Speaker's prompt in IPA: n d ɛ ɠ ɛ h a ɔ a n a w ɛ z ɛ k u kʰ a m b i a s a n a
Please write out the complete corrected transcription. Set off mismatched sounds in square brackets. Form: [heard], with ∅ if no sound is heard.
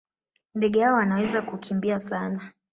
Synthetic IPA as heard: n d ɛ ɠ ɛ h a ɔ a n a w ɛ z [a] k u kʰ [i] m b i a s a n a